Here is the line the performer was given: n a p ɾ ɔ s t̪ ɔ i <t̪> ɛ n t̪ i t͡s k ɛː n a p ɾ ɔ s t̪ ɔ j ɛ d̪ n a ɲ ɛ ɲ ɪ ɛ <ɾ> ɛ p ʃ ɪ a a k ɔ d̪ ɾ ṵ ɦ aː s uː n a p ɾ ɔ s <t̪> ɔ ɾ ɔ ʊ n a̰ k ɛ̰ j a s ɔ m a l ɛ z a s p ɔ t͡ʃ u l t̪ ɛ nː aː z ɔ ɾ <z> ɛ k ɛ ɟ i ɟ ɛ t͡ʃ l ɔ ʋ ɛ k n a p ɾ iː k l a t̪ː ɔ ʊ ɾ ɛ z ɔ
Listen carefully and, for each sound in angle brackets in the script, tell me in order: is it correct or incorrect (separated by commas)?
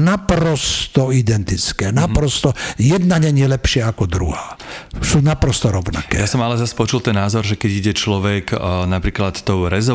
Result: incorrect, incorrect, correct, incorrect